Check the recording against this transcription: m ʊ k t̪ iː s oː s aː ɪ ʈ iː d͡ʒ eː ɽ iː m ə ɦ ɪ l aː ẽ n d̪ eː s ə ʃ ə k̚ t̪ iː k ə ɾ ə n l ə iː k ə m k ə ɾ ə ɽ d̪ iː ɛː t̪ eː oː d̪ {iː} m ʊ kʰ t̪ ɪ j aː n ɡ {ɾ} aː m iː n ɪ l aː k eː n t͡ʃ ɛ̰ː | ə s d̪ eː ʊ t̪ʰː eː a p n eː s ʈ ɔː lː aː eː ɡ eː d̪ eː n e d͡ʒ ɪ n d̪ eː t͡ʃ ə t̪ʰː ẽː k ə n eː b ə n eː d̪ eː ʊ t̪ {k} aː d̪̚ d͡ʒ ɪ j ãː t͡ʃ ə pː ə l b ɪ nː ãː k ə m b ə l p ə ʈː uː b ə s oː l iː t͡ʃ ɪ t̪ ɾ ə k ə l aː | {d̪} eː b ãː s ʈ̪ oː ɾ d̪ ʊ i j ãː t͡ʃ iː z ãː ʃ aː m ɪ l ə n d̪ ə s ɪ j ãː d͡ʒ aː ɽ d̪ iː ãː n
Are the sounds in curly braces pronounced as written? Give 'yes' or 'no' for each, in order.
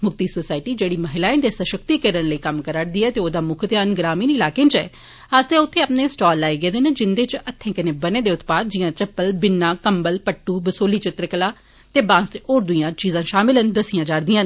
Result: no, yes, no, no

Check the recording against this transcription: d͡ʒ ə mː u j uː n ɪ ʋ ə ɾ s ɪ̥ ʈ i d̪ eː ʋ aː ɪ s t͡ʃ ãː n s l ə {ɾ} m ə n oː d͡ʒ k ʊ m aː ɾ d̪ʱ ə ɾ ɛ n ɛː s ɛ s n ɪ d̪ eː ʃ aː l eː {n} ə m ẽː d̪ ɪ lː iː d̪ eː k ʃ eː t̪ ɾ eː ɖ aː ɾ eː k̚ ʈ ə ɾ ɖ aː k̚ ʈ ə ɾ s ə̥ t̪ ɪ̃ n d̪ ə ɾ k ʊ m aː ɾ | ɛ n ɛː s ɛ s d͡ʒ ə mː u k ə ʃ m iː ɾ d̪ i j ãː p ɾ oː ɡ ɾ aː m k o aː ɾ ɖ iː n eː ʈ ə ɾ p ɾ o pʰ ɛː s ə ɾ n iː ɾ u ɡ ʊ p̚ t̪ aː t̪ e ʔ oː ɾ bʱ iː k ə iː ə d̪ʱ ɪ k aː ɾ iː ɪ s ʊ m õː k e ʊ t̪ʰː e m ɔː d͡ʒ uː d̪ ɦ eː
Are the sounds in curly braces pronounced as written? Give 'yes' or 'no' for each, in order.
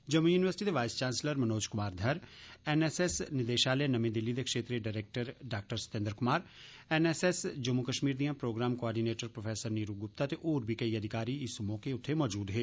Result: yes, yes

